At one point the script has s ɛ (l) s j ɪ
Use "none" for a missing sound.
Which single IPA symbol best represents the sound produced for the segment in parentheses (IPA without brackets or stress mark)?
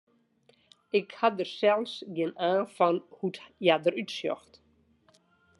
l